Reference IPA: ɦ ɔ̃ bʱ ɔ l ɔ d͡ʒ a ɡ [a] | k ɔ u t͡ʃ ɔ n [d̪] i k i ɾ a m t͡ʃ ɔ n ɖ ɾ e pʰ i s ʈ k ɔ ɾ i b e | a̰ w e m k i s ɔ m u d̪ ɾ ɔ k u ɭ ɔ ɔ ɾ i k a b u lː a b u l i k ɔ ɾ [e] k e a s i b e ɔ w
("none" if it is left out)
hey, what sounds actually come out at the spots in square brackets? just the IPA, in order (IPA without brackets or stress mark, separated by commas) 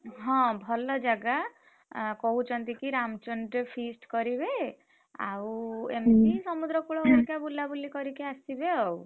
a, t̪, i